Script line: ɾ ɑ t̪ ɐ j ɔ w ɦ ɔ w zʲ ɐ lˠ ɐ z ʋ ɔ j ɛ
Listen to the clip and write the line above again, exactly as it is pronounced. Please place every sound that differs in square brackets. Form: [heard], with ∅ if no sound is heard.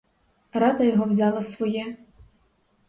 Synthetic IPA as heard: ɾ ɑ [d̪] ɐ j ɔ [∅] ɦ ɔ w zʲ [ɑ] lˠ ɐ [s] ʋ ɔ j ɛ